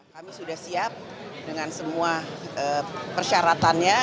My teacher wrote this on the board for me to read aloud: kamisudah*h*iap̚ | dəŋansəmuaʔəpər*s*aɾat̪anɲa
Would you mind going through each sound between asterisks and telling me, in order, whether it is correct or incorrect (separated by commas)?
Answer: incorrect, incorrect